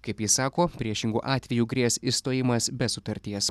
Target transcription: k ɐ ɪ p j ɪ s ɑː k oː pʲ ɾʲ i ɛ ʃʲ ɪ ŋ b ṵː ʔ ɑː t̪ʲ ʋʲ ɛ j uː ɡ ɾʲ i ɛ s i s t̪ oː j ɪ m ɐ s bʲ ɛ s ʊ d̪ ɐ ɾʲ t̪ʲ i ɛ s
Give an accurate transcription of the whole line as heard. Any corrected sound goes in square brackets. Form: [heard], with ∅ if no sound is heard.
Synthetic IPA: k ɐ ɪ p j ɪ s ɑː k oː pʲ ɾʲ i ɛ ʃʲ ɪ ŋ [ɡ] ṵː ʔ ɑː t̪ʲ ʋʲ ɛ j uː ɡ ɾʲ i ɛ s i s t̪ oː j ɪ m ɐ s bʲ ɛ s ʊ [t̪] ɐ ɾʲ t̪ʲ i ɛ s